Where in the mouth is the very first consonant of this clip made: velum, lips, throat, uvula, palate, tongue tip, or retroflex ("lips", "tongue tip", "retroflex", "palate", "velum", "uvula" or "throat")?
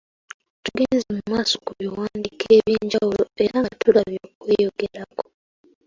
tongue tip